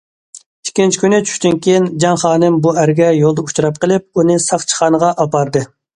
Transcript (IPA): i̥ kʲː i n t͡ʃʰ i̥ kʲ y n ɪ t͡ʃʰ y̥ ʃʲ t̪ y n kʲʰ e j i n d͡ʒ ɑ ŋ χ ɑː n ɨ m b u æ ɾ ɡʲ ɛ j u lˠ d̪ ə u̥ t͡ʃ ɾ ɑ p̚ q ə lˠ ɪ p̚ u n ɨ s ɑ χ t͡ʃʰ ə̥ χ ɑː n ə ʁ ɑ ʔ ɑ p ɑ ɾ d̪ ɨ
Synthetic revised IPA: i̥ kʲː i n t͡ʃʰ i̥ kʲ y n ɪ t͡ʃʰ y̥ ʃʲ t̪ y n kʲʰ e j i n d͡ʒ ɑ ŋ χ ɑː n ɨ m b u æ ɾ ɡʲ ɛ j o lˠ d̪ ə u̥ t͡ʃ ɾ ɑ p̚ q ə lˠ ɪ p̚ u n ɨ s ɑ χ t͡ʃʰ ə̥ χ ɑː n ə ʁ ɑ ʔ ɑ p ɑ ɾ d̪ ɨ